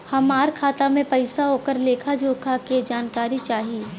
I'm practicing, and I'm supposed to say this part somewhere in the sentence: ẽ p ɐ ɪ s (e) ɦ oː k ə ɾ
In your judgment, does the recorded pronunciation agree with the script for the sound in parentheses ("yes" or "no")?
no